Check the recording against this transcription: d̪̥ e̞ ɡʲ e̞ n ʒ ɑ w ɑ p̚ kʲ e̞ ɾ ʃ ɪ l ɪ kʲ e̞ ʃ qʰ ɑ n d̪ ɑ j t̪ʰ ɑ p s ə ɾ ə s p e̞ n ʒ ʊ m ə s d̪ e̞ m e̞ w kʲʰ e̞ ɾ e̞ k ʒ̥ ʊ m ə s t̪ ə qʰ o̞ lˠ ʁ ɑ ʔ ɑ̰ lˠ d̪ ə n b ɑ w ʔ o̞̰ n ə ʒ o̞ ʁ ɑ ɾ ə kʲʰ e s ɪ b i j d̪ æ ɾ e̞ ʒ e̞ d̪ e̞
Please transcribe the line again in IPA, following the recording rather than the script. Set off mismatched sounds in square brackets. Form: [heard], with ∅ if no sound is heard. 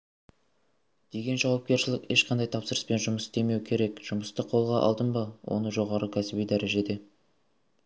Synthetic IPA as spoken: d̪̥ e̞ ɡʲ e̞ n ʒ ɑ w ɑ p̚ kʲ e̞ ɾ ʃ ɪ l ɪ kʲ e̞ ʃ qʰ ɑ n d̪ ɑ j t̪ʰ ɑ p s ə ɾ ə s p e̞ n ʒ ʊ m ə s d̪ e̞ m e̞ w kʲʰ e̞ ɾ e̞ k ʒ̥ ʊ m ə s t̪ ə qʰ o̞ lˠ ʁ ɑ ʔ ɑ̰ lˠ d̪ ə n b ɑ w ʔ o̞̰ n ə ʒ o̞ ʁ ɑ ɾ ə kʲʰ [æ] s ɪ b i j d̪ æ ɾ e̞ ʒ e̞ d̪ e̞